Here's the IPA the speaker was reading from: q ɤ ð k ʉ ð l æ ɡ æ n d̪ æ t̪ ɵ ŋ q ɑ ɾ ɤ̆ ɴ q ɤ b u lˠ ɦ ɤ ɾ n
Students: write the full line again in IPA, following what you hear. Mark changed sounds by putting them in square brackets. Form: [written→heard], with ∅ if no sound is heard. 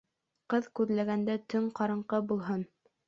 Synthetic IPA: q ɤ ð k ʉ ð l æ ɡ æ n d̪ æ t̪ ɵ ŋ q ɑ ɾ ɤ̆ ɴ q ɤ b u lˠ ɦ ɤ [ɾ→∅] n